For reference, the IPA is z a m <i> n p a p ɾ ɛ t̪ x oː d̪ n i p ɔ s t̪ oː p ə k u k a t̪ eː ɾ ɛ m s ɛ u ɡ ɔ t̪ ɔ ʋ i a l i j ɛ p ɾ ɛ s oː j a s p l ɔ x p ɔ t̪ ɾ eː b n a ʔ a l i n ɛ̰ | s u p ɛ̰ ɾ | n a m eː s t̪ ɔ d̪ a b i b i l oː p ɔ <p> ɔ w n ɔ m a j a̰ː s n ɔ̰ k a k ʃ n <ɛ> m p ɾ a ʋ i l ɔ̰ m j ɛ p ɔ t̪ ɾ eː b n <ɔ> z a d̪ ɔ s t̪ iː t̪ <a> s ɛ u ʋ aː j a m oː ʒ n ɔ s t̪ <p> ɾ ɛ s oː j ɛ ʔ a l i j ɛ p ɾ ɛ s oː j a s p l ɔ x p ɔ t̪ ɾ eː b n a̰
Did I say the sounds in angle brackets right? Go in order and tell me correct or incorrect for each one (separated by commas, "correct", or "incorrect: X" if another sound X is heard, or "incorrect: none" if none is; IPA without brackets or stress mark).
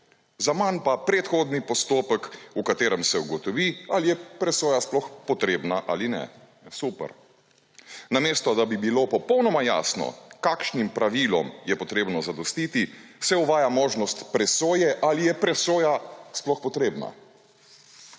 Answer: incorrect: a, correct, incorrect: i, correct, incorrect: i, correct